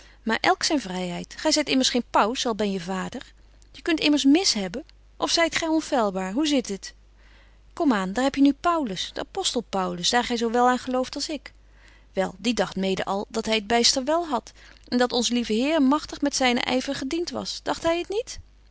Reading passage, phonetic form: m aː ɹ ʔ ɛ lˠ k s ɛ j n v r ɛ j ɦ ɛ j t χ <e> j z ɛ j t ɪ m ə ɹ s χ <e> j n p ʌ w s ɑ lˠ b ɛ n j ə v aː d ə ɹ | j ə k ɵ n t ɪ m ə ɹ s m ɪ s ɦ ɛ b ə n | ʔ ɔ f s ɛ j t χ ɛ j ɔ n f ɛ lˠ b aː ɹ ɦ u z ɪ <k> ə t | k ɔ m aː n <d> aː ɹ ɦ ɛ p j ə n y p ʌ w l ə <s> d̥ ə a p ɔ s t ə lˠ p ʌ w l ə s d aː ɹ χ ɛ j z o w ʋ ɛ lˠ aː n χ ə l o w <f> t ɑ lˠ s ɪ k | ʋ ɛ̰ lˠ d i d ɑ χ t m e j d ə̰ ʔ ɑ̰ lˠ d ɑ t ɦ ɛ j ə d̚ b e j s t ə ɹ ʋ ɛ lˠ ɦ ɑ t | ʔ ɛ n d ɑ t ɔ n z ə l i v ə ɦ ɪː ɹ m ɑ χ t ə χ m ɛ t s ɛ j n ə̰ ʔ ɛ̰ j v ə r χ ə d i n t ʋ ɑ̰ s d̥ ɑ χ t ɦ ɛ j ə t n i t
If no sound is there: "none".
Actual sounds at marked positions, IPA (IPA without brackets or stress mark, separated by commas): ɛ, e, t, d, s, f